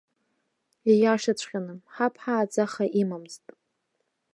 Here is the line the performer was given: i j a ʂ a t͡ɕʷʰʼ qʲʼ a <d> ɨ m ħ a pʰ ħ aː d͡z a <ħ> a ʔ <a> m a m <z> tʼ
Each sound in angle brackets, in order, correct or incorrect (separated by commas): incorrect, incorrect, incorrect, correct